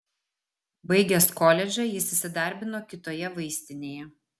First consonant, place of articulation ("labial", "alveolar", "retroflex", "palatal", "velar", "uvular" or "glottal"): labial